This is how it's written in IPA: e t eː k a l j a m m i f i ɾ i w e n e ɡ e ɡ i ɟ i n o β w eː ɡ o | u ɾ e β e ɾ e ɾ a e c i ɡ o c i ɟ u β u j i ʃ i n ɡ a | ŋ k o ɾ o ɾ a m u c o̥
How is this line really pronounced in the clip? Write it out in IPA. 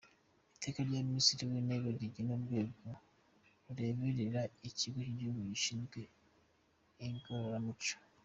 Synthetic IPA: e t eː k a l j a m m i s i ɾ i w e n e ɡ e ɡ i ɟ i n o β w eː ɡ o | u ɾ e β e ɾ e ɾ a e c i ɡ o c i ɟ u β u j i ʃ i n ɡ e | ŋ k o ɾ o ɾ a m u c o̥